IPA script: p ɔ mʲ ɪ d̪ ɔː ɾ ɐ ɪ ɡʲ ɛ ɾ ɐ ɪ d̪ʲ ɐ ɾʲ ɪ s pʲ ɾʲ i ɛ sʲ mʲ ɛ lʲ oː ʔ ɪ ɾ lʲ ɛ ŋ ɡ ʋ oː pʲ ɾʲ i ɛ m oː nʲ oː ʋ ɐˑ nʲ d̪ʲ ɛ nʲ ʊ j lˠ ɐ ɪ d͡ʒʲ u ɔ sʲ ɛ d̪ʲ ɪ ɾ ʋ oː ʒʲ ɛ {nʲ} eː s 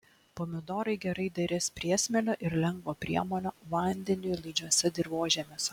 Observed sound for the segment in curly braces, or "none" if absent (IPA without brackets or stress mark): mʲ